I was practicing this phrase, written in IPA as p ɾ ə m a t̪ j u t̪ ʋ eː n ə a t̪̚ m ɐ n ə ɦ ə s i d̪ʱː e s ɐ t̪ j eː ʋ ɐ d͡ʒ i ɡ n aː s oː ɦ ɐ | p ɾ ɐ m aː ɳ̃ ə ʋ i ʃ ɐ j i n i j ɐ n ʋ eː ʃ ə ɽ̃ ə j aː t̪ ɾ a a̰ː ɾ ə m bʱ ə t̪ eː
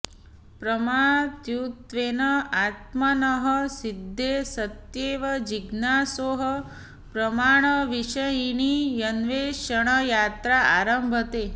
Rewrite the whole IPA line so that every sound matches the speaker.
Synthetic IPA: p ɾ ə m a t̪ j u t̪ ʋ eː n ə a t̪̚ m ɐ n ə ɦ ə s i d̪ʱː e s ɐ t̪ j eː ʋ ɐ d͡ʒ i ɡ n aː s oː ɦ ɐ | p ɾ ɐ m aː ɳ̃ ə ʋ i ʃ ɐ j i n i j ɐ n ʋ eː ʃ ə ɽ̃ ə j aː t̪ ɾ a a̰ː ɾ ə m bʱ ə t̪ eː